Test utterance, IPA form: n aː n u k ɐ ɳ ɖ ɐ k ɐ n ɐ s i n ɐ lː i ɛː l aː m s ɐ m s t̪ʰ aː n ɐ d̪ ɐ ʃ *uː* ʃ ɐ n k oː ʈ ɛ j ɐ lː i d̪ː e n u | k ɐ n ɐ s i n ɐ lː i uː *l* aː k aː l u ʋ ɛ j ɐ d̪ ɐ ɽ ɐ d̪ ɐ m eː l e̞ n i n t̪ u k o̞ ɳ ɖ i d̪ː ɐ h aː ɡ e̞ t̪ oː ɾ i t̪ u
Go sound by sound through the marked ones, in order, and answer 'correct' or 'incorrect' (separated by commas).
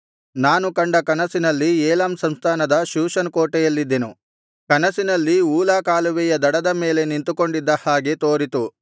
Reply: correct, correct